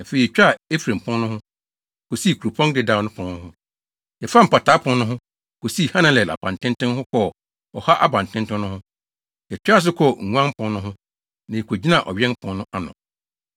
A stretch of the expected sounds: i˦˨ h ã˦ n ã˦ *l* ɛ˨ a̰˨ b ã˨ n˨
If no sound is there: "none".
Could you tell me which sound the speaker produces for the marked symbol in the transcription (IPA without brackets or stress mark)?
l